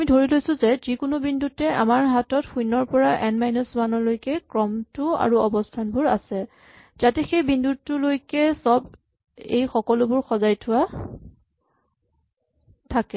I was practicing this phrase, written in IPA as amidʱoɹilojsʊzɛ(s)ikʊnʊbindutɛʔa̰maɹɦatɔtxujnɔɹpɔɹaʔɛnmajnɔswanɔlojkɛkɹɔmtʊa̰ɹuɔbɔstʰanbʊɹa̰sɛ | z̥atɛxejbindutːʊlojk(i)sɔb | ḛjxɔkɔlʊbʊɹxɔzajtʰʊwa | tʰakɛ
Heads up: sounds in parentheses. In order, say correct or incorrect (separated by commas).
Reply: incorrect, incorrect